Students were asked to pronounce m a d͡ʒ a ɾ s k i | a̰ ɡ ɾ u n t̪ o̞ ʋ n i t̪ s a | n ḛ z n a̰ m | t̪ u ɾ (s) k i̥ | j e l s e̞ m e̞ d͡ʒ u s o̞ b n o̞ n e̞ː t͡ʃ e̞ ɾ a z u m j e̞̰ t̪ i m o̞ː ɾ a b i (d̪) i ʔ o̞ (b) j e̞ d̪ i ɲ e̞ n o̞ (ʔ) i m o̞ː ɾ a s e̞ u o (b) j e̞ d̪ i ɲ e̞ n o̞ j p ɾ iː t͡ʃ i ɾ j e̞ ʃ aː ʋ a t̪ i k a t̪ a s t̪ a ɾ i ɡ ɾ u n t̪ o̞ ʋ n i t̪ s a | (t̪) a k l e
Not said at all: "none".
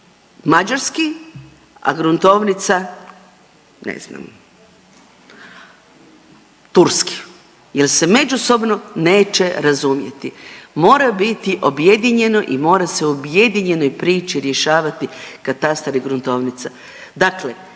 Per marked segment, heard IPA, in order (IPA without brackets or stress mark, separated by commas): s, t̪, b, ʔ, b, d̪